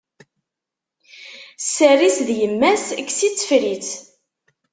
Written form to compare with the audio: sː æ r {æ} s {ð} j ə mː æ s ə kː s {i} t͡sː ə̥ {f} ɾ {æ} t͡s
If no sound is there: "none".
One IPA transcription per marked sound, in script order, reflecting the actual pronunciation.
i, ð, i, f, i

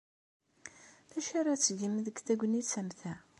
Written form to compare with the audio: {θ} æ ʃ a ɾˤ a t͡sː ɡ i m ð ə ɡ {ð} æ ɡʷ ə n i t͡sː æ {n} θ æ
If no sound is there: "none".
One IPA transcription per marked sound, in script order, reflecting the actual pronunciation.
θ, θ, m

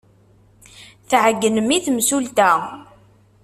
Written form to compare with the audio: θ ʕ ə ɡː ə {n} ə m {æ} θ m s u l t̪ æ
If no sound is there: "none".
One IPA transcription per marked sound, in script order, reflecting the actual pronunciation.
n, i

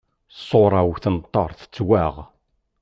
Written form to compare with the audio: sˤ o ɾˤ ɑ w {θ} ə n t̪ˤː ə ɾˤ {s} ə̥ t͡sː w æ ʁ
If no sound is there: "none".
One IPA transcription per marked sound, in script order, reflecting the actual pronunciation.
θ, θ

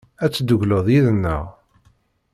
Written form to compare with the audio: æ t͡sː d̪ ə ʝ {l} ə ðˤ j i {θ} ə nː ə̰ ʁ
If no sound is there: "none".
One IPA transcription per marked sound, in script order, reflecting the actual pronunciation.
l, ð

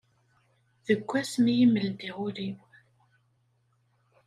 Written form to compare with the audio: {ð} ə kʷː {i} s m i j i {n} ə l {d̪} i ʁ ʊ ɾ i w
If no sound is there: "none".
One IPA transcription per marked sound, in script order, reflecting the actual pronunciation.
ð, æ, m, d̪

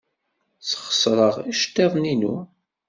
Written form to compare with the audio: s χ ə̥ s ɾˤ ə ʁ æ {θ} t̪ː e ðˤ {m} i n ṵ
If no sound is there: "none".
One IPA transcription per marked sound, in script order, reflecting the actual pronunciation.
ʃ, n

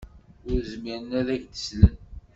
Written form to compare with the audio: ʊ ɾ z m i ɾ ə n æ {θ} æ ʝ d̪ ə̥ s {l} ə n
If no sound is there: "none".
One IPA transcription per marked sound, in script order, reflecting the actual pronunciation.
ð, l

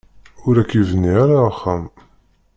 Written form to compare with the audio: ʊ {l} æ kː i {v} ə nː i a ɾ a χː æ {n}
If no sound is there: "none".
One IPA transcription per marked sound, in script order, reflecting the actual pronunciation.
ɾ, v, m

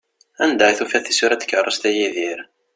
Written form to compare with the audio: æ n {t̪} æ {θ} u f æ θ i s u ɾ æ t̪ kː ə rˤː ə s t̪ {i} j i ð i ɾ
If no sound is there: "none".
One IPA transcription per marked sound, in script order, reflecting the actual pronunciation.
d̪, θ, æ

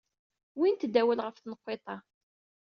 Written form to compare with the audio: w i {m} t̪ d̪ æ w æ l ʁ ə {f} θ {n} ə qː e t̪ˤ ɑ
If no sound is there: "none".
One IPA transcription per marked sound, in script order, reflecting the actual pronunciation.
n, f, n

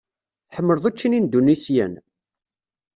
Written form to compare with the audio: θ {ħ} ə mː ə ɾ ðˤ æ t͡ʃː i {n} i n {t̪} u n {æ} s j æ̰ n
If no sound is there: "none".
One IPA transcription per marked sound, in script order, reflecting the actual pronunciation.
ħ, n, d̪, i

